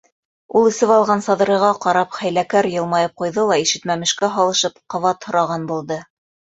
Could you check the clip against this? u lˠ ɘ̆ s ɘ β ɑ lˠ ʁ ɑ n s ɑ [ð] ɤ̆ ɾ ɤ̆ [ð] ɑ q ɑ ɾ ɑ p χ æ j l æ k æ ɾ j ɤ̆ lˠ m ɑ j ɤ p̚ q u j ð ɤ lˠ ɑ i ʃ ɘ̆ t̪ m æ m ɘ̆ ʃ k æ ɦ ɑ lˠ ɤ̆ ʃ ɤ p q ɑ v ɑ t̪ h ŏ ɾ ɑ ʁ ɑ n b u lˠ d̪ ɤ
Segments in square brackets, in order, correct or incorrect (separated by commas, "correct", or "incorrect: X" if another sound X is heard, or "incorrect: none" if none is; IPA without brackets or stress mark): correct, incorrect: ʁ